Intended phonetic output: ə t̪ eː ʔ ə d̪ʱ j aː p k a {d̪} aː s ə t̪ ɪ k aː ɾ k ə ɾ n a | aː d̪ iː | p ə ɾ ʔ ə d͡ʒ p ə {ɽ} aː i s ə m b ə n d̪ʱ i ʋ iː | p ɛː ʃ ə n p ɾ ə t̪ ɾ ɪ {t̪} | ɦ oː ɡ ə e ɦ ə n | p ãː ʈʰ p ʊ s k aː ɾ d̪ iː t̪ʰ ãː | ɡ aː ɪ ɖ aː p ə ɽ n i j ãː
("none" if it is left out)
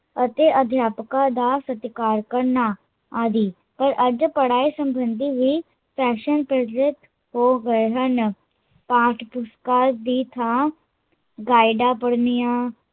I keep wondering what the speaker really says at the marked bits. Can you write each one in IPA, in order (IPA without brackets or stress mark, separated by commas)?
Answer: d̪, ɽ, t̪